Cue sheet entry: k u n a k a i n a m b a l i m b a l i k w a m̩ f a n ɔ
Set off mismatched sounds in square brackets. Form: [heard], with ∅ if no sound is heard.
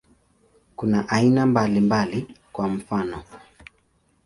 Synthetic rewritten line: k u n a [ʔ] a i n a m b a l i m b a l i k w a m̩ f a n ɔ